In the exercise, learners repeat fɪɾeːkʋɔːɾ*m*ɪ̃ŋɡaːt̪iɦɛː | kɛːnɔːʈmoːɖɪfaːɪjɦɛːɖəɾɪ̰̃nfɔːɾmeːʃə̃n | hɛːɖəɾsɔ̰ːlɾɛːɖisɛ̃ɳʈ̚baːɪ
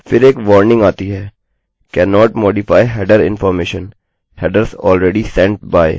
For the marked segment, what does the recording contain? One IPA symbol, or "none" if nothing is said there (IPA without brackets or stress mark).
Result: n